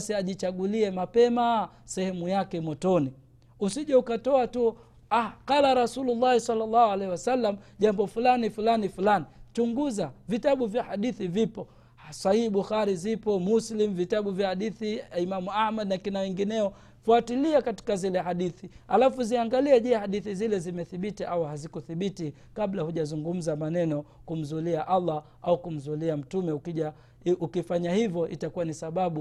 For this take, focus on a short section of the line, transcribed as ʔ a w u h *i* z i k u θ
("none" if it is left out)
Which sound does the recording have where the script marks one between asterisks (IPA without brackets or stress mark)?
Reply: a